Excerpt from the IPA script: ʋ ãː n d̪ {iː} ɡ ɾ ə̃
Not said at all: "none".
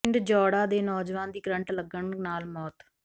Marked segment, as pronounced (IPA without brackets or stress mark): iː